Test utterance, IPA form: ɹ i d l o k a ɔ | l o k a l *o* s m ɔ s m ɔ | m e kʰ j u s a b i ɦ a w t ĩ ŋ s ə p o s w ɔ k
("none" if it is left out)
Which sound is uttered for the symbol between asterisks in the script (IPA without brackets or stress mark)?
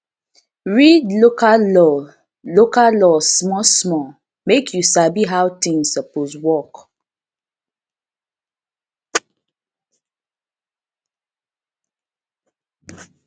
ɔ